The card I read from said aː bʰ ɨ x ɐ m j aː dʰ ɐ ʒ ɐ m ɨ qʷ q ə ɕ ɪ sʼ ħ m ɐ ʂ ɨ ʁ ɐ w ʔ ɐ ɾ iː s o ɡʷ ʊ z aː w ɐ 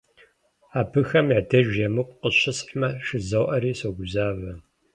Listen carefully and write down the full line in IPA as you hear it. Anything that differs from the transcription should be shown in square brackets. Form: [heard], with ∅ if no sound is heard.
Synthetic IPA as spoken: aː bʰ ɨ x ɐ m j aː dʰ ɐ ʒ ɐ m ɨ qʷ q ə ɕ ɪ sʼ ħ m ɐ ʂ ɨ [z] ɐ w ʔ ɐ ɾ iː s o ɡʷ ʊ z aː [v] ɐ